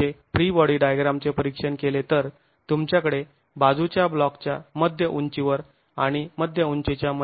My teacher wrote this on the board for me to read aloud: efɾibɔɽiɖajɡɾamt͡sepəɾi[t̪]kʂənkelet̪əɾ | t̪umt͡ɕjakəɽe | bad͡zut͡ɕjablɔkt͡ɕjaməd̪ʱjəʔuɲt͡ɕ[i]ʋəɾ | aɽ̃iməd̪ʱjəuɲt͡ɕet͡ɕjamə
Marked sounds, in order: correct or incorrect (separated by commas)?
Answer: incorrect, correct